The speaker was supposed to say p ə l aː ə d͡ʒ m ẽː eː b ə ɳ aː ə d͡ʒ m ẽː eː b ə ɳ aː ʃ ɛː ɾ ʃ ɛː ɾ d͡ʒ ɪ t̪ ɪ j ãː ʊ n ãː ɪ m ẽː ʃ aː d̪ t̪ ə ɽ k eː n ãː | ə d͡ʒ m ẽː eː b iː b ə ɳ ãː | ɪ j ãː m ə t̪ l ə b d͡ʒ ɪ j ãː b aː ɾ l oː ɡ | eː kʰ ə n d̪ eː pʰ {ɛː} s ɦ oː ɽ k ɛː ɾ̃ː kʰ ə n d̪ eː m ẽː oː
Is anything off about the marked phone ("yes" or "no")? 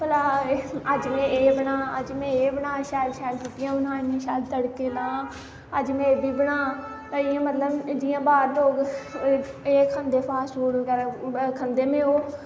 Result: yes